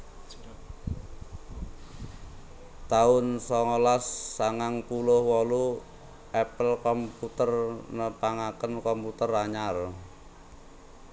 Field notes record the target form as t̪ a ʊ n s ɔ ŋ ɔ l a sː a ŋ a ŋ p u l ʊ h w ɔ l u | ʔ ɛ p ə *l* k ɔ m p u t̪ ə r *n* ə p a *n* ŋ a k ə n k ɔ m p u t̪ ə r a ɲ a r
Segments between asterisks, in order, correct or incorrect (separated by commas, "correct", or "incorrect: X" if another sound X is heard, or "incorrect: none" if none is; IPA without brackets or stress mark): correct, correct, incorrect: none